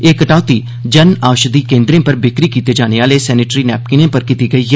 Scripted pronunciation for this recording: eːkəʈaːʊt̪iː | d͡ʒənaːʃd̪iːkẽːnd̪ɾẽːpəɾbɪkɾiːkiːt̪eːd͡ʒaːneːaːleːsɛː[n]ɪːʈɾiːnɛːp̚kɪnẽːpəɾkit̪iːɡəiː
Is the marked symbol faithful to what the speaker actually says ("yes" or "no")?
yes